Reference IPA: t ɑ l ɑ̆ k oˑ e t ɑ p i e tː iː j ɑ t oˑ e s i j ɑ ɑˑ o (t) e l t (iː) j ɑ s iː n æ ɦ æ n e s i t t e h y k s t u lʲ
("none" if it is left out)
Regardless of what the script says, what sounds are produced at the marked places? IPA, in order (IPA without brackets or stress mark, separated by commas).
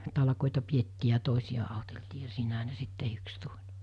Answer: t, iː